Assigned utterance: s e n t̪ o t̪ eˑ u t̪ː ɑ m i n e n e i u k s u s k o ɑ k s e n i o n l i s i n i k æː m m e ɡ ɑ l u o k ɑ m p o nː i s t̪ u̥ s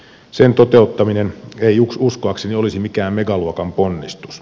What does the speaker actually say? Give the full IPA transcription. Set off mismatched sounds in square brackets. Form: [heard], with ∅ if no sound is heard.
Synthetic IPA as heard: s e n t̪ o t̪ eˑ u t̪ː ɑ m i n e n e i u k s u s k o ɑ k s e n i o [∅] l i s i [m] i k æː m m e ɡ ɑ l u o k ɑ m p o nː i s t̪ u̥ s